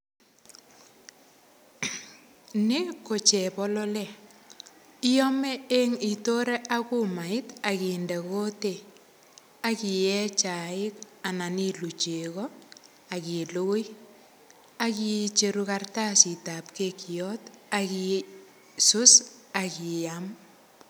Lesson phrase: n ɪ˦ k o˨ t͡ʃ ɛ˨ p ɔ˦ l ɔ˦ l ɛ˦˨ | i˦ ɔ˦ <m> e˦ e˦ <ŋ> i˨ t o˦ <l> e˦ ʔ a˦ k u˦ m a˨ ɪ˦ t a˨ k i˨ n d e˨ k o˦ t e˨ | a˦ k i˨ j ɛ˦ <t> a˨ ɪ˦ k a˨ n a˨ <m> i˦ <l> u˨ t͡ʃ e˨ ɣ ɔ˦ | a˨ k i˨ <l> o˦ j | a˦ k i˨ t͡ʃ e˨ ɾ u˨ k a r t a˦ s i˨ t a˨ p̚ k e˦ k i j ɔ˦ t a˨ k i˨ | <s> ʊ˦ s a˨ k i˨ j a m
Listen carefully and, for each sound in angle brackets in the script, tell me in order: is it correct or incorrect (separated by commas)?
correct, correct, incorrect, incorrect, incorrect, correct, correct, correct